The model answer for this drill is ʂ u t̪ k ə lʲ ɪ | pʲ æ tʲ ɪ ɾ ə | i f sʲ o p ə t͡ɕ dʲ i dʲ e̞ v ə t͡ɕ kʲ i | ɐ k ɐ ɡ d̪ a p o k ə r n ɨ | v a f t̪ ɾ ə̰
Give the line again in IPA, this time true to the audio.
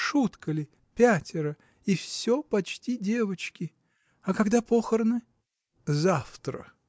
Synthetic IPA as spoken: ʂ u t̪ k ə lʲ ɪ | pʲ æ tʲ ɪ ɾ ə | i f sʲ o p ɐ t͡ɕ tʲ i dʲ e̞ v ə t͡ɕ kʲ ɪ | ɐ k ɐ ɡ d̪ a p o x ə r n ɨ | z a f t̪ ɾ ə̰